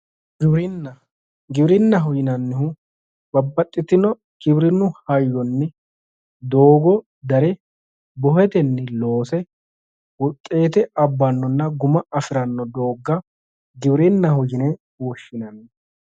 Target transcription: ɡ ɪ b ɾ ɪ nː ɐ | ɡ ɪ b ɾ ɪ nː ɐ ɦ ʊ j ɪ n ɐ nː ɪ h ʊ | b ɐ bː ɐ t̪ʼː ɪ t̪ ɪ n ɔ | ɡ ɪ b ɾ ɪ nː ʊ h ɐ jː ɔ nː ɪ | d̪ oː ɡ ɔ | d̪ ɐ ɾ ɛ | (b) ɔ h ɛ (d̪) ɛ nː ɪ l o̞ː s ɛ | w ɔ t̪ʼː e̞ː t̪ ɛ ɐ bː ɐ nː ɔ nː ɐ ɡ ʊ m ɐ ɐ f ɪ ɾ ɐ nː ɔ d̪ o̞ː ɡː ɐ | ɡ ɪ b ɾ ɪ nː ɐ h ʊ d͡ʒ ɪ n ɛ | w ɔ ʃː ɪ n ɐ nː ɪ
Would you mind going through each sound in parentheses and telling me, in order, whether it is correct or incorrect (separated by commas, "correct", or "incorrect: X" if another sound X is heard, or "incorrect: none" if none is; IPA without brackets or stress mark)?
correct, incorrect: t̪